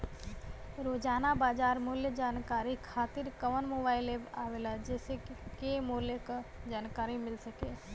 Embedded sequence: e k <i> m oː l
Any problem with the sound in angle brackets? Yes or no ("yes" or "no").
yes